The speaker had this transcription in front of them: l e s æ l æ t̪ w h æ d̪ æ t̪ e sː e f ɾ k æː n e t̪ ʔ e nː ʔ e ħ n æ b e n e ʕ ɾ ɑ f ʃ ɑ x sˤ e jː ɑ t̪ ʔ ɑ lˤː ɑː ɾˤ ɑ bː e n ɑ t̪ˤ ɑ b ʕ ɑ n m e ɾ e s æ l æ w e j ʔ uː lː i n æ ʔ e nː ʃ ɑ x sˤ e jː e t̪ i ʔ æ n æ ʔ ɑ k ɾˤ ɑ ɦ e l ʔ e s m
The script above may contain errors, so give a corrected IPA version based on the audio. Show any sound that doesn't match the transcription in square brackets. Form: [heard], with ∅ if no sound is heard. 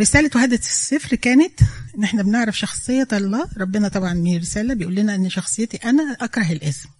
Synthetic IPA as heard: [ɾ] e s [æː] l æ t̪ w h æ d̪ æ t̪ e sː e f ɾ k æː n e t̪ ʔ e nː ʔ e ħ n æ b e n e ʕ ɾ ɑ f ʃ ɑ x sˤ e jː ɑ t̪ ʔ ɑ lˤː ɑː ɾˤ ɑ bː e n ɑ t̪ˤ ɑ b ʕ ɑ n m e ɾ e s [æː] l æ [b] e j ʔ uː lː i n æ ʔ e nː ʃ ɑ x sˤ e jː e t̪ i ʔ æ n æ ʔ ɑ k ɾˤ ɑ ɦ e l ʔ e s m